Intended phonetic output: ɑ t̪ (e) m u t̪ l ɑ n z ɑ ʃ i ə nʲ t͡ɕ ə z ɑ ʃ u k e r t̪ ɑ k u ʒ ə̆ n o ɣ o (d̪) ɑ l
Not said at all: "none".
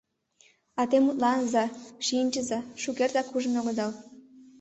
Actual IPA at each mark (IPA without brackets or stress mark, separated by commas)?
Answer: e, d̪